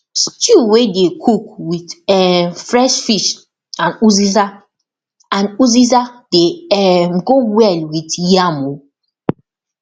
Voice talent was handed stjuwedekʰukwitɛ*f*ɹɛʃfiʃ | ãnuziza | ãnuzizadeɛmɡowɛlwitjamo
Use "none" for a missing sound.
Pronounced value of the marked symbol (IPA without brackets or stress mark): f